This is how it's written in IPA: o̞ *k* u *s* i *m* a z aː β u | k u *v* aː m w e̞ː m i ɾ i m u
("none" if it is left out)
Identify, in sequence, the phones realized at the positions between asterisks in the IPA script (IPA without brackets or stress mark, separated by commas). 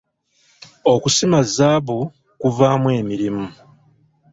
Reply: k, s, m, v